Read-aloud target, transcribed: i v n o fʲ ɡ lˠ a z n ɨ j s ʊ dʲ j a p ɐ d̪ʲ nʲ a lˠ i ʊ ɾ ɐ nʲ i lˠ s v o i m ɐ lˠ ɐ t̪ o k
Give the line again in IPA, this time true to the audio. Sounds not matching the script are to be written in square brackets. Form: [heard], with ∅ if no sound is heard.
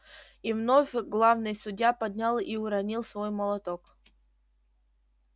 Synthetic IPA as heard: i v n o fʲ ɡ lˠ a [v] n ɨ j s ʊ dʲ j a p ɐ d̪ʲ nʲ a lˠ i ʊ ɾ ɐ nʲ i lˠ s v o [j] m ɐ lˠ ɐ t̪ o k